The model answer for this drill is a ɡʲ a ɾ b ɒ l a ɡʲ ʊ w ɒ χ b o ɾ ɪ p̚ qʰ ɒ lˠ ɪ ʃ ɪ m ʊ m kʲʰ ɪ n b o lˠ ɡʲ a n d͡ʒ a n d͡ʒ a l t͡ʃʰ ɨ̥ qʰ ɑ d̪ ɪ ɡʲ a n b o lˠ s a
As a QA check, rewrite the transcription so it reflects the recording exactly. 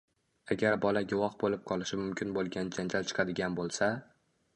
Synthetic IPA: a ɡʲ a ɾ b ɒ l a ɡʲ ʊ w ɒ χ b o l ɪ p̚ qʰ ɒ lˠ ɪ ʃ ɪ m ʊ m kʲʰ ɪ n b o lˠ ɡʲ a n d͡ʒ a n d͡ʒ a l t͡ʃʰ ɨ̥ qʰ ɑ d̪ ɪ ɡʲ a n b o lˠ s a